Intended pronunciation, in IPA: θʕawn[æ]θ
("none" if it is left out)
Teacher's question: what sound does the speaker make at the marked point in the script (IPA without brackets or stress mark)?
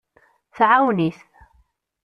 i